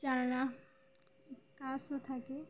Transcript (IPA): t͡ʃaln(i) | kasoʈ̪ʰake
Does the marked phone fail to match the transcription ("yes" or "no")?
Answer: yes